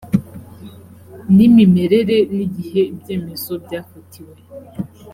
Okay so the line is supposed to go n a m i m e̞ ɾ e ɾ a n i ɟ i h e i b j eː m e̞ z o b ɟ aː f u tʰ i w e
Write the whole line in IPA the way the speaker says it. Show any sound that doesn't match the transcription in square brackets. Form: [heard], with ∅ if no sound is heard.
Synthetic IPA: n [i] m i m e̞ ɾ e ɾ [e] n i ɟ i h e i b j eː m e̞ z o b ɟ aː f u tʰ i w e